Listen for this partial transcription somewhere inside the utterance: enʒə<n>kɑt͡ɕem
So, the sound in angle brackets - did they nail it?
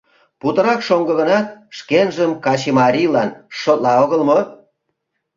no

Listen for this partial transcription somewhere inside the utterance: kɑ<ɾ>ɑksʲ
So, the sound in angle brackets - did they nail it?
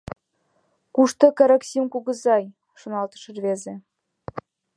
yes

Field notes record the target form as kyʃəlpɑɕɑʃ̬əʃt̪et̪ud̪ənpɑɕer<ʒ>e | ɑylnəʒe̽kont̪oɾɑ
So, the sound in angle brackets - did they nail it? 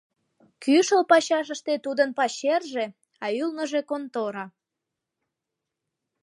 yes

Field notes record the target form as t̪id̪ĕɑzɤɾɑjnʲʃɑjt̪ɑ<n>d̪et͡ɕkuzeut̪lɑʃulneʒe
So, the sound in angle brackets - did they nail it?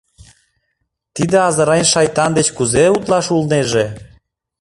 yes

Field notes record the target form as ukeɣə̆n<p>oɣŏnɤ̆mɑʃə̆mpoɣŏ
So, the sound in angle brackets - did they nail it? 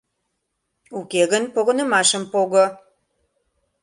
yes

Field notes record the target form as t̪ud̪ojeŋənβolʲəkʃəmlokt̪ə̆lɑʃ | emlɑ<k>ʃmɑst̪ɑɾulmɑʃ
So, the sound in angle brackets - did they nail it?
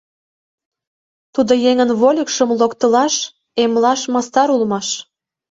no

